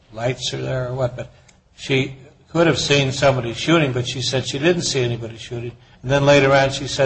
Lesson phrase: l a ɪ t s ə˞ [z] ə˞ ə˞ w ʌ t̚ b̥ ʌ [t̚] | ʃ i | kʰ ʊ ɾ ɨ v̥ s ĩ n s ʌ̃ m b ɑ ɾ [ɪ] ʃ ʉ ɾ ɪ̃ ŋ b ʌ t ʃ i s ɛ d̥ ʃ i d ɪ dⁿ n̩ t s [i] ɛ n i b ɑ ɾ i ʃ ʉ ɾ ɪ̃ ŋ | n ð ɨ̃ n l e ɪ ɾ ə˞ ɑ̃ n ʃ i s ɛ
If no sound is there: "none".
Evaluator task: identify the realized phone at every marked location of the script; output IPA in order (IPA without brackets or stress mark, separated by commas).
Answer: ð, t̚, i, i